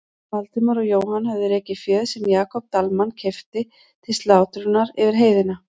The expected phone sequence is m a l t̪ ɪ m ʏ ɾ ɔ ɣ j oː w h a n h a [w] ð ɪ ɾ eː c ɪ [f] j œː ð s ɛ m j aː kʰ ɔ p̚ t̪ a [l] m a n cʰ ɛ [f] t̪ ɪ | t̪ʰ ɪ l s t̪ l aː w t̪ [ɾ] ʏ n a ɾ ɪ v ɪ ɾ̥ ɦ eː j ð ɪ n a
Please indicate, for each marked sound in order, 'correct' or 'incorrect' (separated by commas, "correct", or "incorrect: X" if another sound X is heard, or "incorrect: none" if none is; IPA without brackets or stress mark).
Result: incorrect: v, correct, correct, correct, correct